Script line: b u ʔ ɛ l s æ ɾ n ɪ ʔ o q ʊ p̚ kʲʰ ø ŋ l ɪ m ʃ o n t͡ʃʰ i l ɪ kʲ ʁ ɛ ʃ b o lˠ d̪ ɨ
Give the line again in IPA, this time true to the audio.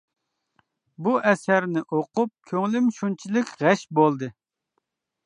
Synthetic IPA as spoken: b u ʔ ɛ s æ ɾ n ɪ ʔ o q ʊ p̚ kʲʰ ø ŋ l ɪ m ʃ u n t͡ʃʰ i l ɪ kʲ ʁ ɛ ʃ b o lˠ d̪ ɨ

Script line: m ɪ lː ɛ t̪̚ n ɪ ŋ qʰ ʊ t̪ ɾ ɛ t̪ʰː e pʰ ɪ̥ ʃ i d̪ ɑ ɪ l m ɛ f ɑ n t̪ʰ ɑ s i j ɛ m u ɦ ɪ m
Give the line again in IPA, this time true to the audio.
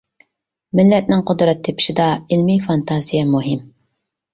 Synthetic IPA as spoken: m ɪ lː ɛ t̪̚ n ɪ ŋ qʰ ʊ d̪ ɾ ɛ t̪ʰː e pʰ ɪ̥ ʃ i d̪ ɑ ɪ l m i f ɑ n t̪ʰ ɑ z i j ɛ m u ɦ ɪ m

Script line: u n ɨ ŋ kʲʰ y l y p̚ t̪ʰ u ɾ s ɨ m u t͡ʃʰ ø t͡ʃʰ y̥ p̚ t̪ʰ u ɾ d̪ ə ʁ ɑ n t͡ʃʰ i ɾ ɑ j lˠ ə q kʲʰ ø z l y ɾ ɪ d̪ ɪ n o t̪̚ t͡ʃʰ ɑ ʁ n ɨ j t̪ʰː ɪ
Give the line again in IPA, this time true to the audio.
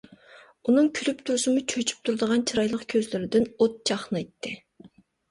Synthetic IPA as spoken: u n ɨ ŋ kʲʰ y l y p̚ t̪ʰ u ɾ s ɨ m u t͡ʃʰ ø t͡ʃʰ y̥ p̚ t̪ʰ u ɾ d̪ ə ʁ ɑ n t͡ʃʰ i ɾ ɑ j lˠ ə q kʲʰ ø z l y ɾ ɪ d̪ ɪ n o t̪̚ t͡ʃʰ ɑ χ n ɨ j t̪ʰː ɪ

